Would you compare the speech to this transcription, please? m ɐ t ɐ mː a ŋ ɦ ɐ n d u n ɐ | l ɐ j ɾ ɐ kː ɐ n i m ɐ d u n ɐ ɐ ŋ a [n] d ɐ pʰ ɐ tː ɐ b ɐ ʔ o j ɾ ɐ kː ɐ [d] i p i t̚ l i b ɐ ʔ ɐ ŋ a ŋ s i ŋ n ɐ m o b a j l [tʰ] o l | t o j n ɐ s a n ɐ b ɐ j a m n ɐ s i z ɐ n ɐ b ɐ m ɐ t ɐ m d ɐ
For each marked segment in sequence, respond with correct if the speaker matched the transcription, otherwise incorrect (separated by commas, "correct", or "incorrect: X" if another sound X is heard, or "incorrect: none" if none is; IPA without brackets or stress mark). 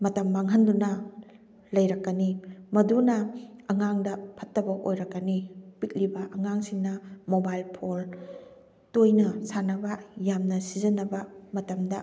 incorrect: ŋ, incorrect: n, incorrect: pʰ